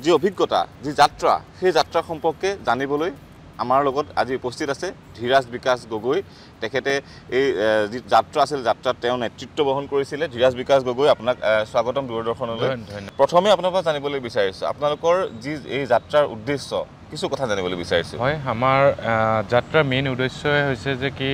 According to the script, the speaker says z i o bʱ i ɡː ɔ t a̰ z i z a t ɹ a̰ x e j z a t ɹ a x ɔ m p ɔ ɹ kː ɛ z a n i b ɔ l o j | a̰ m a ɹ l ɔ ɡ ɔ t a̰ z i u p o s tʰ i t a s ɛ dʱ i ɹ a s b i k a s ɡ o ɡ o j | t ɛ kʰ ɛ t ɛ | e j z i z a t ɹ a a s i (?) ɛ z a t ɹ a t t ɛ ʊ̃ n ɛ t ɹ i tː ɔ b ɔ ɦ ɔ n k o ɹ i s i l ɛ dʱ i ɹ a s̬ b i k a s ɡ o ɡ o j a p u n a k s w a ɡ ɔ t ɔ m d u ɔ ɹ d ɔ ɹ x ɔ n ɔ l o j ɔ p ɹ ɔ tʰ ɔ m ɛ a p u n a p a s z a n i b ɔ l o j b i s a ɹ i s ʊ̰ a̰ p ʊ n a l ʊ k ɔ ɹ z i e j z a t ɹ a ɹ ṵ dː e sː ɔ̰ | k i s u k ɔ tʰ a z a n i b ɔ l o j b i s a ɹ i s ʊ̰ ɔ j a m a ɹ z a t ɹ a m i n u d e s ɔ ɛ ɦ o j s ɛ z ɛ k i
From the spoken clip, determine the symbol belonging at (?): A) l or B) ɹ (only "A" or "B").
A